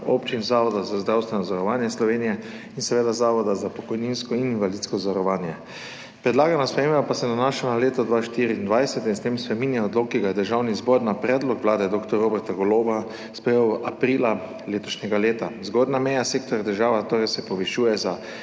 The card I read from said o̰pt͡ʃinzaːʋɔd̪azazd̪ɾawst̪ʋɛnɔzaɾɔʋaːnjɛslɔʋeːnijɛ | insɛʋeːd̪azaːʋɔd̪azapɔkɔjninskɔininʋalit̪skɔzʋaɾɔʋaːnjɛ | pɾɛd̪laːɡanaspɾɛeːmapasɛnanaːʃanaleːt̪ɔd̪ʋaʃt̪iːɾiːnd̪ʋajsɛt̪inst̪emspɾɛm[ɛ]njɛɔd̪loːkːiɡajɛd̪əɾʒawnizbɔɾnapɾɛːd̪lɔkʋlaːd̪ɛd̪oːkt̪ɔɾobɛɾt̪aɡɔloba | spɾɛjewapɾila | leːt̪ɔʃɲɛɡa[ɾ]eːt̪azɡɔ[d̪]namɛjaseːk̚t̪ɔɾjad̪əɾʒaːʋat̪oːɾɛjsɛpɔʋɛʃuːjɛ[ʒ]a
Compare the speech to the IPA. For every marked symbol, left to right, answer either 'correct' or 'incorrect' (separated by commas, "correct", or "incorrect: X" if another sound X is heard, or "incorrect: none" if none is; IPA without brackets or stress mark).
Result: incorrect: i, incorrect: l, correct, incorrect: z